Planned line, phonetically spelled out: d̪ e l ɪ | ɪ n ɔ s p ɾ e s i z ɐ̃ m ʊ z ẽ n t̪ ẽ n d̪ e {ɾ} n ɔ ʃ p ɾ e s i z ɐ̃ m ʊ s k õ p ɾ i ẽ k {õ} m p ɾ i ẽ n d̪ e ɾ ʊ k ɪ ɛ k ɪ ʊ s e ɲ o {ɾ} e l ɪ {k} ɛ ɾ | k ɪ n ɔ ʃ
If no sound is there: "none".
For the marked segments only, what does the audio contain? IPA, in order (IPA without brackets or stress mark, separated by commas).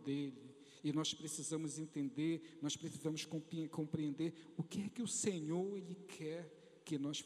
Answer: ɾ, õ, ɾ, kʰ